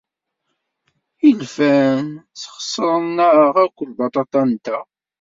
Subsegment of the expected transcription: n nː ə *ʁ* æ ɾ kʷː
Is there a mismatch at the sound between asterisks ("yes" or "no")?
no